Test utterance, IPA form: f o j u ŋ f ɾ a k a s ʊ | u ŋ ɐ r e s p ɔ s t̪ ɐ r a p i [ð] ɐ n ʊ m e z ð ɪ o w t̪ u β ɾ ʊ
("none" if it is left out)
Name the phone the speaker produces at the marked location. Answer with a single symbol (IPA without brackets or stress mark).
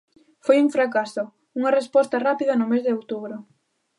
ð